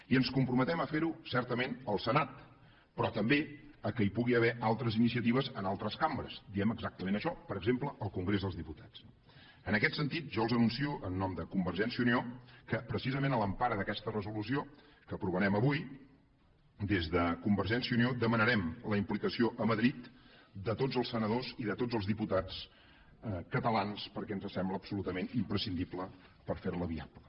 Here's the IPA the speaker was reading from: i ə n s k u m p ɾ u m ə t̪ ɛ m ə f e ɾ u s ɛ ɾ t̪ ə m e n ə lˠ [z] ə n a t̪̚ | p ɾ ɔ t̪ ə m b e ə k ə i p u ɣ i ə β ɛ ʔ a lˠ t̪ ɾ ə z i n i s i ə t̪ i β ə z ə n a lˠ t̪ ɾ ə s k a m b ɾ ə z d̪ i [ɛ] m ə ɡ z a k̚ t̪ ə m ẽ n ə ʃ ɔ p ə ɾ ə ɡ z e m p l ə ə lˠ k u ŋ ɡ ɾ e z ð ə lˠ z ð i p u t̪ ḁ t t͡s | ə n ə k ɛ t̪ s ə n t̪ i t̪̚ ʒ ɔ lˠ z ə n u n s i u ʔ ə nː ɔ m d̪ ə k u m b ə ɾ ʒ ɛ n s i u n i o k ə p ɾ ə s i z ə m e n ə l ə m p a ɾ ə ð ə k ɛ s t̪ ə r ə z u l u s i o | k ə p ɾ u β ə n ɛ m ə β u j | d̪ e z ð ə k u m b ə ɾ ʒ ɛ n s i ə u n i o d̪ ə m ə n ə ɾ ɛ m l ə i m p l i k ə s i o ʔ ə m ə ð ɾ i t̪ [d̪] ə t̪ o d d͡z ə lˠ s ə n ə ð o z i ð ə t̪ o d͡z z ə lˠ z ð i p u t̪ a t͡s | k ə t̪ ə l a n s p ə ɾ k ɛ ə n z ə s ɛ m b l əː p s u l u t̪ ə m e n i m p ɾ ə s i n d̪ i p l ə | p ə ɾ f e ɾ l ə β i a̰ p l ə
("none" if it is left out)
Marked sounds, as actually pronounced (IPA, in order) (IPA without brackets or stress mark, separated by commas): s, ɛ, d̪